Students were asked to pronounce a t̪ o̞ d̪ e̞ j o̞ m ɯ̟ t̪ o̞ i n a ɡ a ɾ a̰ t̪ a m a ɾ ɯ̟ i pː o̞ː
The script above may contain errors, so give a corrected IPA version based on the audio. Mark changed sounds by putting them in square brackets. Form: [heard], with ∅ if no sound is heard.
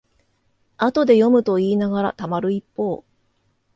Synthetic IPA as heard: a t̪ o̞ d̪ e̞ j o̞ m ɯ̟ t̪ o̞ [iː] n a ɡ a ɾ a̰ t̪ a m a ɾ ɯ̟ i pː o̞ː